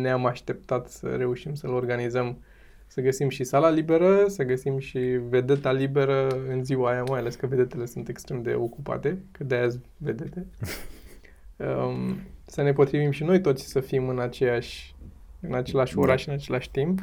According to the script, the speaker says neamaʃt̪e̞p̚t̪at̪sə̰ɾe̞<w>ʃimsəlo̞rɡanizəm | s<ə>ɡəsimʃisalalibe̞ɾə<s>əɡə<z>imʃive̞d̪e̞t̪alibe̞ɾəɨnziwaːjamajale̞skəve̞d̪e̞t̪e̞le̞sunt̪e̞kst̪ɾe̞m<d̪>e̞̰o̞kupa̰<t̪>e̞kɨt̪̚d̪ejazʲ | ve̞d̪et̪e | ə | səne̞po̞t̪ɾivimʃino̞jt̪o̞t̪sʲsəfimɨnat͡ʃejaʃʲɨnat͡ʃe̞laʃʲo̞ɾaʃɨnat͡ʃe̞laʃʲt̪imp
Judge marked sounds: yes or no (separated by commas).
no, yes, yes, no, yes, yes